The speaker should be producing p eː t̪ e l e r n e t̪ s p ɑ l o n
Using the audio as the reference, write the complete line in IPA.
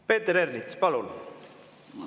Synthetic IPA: p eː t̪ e ɾ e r n i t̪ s p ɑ l u n